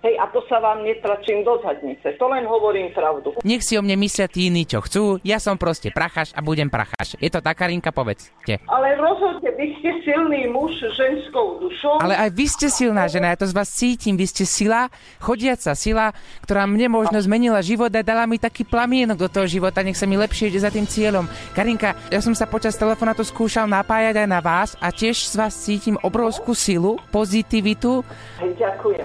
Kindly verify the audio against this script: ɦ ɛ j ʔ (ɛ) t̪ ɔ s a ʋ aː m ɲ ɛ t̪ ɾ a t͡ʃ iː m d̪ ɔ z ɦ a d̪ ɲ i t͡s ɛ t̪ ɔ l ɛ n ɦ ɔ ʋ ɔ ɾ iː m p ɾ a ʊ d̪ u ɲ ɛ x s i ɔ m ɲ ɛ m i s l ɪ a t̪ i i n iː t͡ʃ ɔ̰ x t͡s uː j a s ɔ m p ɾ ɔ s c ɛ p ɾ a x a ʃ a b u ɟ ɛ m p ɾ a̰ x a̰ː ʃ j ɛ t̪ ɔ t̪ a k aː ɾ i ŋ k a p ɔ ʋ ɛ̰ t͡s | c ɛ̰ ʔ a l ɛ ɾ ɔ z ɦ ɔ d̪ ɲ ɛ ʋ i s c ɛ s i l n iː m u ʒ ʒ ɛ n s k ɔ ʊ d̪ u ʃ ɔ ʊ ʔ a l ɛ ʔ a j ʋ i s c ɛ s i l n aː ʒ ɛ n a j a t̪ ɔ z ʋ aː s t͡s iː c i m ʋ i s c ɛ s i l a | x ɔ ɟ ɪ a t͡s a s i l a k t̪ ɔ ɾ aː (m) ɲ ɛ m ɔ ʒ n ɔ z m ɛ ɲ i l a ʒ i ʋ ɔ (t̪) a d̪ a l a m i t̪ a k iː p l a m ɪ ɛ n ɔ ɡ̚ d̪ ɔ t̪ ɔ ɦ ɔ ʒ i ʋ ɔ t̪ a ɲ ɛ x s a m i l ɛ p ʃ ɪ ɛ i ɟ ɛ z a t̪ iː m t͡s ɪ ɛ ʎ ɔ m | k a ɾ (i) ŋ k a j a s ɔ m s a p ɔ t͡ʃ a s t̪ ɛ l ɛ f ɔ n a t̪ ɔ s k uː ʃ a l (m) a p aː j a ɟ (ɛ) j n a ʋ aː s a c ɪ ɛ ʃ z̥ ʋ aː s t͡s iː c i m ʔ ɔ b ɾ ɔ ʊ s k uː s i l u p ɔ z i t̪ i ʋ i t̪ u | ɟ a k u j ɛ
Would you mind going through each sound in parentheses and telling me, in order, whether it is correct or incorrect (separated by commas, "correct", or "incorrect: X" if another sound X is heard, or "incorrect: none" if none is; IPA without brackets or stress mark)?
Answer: incorrect: a, correct, incorrect: d̪, correct, incorrect: n, incorrect: a